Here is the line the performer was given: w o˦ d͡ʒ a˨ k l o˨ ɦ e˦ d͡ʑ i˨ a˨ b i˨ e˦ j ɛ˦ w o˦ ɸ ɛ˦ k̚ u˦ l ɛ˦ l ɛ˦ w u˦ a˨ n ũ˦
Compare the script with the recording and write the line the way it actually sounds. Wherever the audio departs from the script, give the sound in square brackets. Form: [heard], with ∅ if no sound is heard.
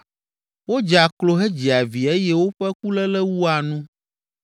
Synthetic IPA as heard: w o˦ d͡ʒ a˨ k l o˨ ɦ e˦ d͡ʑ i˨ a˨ [v] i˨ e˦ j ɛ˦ w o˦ ɸ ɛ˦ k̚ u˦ l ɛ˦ l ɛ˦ w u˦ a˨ n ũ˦